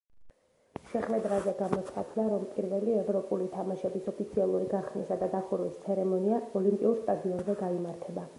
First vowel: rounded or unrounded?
unrounded